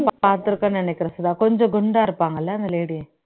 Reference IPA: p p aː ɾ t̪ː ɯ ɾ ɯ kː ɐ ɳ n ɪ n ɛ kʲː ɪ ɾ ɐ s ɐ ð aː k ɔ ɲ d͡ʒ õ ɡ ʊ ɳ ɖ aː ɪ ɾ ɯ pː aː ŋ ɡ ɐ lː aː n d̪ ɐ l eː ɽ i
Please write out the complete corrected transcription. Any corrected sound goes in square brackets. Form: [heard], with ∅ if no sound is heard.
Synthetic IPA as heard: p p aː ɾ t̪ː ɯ ɾ ɯ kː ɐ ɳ n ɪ n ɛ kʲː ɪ ɾ ɐ s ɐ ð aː k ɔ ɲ d͡ʒ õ ɡ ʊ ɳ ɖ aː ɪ ɾ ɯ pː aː ŋ ɡ ɐ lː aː n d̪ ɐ l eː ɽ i